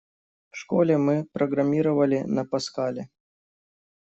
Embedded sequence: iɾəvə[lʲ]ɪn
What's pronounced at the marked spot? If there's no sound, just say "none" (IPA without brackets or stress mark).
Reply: lʲ